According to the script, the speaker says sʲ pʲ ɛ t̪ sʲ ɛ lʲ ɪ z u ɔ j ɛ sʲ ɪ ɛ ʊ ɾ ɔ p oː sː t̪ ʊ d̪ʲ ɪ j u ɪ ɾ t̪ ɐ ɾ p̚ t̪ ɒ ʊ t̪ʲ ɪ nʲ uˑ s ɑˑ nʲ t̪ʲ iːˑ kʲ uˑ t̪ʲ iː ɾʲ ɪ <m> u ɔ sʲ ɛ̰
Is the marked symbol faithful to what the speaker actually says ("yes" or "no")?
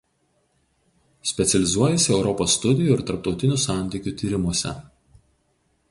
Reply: yes